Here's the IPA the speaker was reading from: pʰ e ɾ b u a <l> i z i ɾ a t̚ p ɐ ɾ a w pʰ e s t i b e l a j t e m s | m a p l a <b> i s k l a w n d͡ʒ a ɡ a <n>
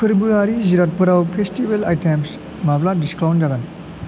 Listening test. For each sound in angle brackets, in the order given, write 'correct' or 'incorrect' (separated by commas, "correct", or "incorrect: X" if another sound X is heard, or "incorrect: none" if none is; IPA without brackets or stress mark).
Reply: incorrect: ɾ, incorrect: d, correct